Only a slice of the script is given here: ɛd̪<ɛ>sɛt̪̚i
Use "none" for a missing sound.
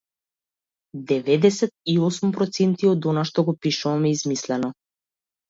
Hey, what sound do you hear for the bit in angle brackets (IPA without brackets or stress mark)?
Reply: ɛ